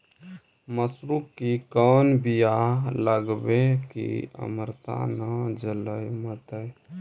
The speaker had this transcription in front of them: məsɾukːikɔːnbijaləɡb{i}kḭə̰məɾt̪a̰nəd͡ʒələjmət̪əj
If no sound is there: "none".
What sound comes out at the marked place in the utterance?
e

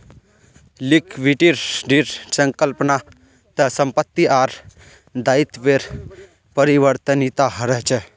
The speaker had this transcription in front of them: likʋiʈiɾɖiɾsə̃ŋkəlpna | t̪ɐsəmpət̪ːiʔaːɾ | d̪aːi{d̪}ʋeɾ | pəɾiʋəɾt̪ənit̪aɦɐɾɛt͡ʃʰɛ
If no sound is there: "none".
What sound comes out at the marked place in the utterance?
t̪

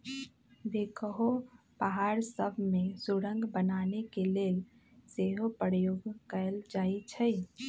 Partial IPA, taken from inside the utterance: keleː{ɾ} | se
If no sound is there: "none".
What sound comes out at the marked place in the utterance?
l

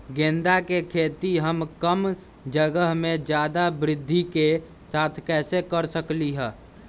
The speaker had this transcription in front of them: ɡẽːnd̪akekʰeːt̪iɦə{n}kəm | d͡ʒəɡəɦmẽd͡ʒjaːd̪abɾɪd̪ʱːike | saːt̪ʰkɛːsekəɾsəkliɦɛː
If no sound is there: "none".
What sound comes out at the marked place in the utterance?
m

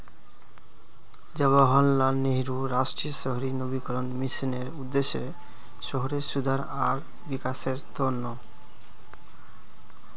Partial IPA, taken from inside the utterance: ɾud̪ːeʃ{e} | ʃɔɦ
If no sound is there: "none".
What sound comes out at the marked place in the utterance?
e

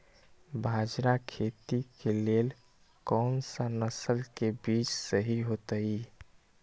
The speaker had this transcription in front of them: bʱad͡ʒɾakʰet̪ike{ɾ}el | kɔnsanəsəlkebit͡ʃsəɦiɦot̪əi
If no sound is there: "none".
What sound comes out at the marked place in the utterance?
l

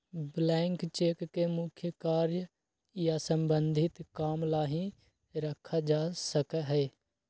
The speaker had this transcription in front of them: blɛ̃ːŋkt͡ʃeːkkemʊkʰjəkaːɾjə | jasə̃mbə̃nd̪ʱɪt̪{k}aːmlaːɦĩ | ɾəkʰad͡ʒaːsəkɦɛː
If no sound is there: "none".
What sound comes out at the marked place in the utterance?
k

